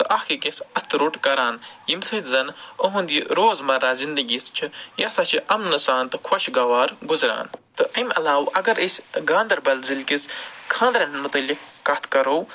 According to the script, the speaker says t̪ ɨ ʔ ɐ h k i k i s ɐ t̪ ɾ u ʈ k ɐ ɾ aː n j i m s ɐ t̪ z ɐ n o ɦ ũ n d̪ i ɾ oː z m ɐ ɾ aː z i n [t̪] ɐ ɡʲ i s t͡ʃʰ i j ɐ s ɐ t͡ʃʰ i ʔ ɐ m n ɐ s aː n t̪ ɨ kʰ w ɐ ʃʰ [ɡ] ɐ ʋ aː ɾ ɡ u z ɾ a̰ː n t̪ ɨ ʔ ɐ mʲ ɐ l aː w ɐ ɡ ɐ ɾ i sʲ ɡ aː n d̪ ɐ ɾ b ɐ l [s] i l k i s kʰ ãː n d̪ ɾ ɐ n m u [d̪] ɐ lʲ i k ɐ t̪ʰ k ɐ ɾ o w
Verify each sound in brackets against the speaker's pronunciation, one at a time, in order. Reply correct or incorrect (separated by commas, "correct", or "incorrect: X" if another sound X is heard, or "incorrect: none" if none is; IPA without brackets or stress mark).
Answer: incorrect: d̪, correct, incorrect: z, incorrect: t̪